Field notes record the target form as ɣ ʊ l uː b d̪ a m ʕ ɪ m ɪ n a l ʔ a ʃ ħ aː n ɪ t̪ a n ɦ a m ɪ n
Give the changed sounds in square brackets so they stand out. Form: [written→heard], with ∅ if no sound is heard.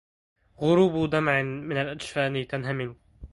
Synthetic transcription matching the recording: ɣ ʊ [l→ɾ] uː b d̪ a m ʕ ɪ m ɪ n a l ʔ a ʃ [ħ→f] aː n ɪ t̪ a n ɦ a m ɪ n